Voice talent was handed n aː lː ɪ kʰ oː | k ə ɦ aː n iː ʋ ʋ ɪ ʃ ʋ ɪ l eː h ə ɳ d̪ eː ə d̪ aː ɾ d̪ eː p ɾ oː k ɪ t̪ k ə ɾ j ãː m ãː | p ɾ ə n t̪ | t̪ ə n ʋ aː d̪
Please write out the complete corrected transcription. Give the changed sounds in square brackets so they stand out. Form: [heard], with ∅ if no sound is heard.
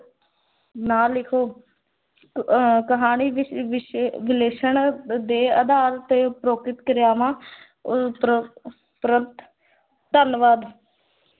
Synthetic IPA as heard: n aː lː ɪ kʰ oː | k ə ɦ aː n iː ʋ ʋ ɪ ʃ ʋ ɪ l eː [ʃ] ə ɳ d̪ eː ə d̪ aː ɾ [t̪] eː p ɾ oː k ɪ t̪ k ə ɾ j [aː] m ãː | p ɾ ə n t̪ | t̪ ə n ʋ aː d̪